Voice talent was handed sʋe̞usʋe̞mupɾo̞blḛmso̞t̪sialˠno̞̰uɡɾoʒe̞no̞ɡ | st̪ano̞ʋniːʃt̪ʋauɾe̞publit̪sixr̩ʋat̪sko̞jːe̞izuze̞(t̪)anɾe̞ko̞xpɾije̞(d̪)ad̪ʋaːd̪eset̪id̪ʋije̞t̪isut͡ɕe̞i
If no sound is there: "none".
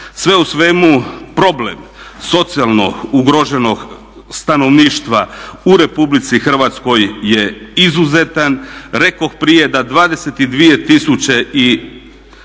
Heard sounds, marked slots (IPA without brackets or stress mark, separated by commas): t̪, d̪